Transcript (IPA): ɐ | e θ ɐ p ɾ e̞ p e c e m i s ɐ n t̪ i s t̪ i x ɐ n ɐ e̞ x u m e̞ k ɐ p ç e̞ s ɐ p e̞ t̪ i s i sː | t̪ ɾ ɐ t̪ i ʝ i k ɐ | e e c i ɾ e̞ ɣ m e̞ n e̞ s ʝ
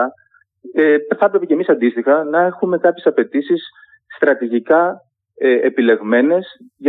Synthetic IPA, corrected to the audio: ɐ | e θ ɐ p ɾ e̞ p e c e m i s ɐ n d̪ i s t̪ i x ɐ n ɐ e̞ x u m e̞ k ɐ p ç e̞ s ɐ p e̞ t̪ i s i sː | t̪ ɾ ɐ t̪ i ʝ i k ɐ | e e p i l e̞ ɣ m e̞ n e̞ s ʝ